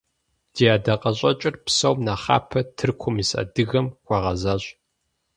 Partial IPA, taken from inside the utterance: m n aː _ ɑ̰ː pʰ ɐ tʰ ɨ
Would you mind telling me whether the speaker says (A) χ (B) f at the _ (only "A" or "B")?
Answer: A